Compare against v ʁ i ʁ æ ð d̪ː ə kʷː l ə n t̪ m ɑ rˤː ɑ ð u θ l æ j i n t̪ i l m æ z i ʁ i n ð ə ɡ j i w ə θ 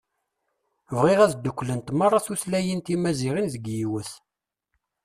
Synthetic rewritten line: v ʁ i ʁ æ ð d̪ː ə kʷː l ə n t̪ m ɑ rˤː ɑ θ u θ l æ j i n t̪ i m æ z i ʁ i n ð ə ɡ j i w ə θ